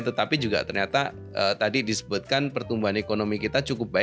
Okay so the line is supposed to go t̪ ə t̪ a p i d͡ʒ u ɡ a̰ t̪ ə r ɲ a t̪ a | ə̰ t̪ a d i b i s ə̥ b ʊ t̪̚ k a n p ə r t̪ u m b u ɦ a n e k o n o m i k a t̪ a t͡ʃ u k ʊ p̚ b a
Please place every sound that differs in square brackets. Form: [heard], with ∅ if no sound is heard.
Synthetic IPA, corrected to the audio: t̪ ə t̪ a p i d͡ʒ u ɡ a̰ t̪ ə r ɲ a t̪ a | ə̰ t̪ a d i [d] i s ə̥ b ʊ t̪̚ k a n p ə r t̪ u m b u ɦ a n e k o n o m i k [i] t̪ a t͡ʃ u k ʊ p̚ b a

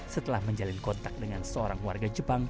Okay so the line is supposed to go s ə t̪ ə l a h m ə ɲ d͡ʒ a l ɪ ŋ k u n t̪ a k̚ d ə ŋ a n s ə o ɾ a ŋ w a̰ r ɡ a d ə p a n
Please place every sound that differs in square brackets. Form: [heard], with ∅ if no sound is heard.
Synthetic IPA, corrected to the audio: s ə t̪ ə l a h m ə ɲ d͡ʒ a l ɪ [n] k [ɔ] n t̪ a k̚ d ə ŋ a n s ə o ɾ a ŋ w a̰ r ɡ a [d͡ʒ] ə p a [ŋ]

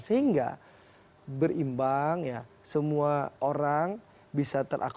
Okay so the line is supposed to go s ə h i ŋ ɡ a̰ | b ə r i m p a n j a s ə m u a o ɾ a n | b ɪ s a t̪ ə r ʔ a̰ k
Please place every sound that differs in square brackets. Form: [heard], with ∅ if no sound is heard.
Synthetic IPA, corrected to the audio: s ə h i ŋ ɡ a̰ | b ə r i m [b] a [ŋ] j a s ə m u a o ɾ a [ŋ] | b [i] s a t̪ ə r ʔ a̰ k

